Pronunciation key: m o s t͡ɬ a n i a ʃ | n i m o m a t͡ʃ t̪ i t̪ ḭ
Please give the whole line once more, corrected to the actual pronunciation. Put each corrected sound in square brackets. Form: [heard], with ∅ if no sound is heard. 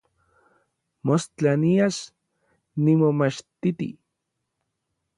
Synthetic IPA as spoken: m o s t͡ɬ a n i a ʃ | n i m o m a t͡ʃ t̪ i t̪ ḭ